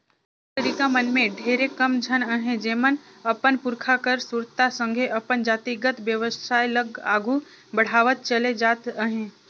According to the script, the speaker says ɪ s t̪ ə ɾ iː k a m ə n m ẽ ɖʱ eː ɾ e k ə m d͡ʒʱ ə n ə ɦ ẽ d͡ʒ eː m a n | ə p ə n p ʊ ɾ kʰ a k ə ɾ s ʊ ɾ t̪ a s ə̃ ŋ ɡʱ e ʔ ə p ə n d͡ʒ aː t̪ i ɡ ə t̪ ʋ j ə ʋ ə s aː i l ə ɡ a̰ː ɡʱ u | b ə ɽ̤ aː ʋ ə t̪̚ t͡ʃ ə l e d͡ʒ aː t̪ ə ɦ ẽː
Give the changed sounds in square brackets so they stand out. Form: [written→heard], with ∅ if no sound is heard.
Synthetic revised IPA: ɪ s t̪ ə ɾ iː k a m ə n m ẽ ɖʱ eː ɾ e k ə m d͡ʒʱ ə n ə ɦ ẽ d͡ʒ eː m [a→ə] n | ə p ə n p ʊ ɾ kʰ a k ə ɾ s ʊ ɾ t̪ a s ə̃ ŋ ɡʱ e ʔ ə p ə n d͡ʒ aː t̪ i ɡ ə t̪ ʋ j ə ʋ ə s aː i l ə ɡ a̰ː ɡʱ u | b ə ɽ̤ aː ʋ ə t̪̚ t͡ʃ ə l e d͡ʒ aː t̪ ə ɦ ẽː

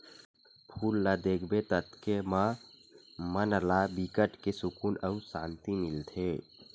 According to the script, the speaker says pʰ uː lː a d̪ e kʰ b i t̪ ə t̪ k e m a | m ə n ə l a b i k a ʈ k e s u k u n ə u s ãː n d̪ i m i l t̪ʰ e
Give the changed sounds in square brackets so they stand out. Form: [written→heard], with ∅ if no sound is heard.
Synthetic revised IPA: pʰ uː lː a d̪ e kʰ b [i→e] t̪ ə t̪ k e m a | m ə n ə l a b i k [a→ə] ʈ k e s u k u n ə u s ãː n [d̪→t̪] i m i l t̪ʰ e

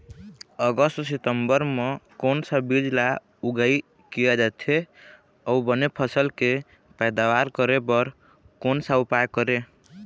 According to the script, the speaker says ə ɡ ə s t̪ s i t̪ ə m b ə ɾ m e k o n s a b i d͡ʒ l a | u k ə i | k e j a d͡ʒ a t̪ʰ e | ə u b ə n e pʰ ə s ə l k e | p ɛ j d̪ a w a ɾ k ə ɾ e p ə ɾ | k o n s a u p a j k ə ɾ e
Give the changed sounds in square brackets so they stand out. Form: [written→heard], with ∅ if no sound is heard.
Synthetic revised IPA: ə ɡ ə s t̪ s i t̪ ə m b ə ɾ m e k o n s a b i d͡ʒ l a | u [k→ɡ] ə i | k [e→i] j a d͡ʒ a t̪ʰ e | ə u b ə n e pʰ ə s ə l k e | p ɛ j d̪ a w a ɾ k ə ɾ e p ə ɾ | k o n s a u p a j k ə ɾ e

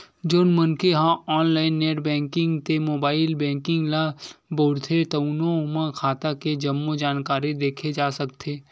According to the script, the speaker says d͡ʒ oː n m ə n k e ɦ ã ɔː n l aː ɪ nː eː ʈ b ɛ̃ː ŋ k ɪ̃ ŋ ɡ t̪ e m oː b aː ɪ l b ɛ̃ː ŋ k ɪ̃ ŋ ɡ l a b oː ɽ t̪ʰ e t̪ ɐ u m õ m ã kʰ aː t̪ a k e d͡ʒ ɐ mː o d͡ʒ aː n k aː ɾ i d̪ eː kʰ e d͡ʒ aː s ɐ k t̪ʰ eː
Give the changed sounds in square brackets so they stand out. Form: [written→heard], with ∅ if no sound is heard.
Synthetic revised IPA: d͡ʒ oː n m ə n k e ɦ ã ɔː n l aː ɪ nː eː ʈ b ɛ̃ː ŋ k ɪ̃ ŋ ɡ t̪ e m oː b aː ɪ l b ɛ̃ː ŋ k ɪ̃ ŋ ɡ l a b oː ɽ t̪ʰ e t̪ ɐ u [m→n] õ m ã kʰ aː t̪ a k e d͡ʒ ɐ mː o d͡ʒ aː n k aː ɾ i d̪ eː kʰ e d͡ʒ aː s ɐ k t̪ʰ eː

